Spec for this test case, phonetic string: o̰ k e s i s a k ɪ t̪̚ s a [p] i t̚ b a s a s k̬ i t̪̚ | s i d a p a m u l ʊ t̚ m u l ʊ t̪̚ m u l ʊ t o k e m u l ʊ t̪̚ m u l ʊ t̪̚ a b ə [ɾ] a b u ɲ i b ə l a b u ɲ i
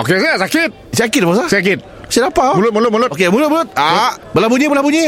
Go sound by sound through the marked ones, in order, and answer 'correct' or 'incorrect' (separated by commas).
incorrect, incorrect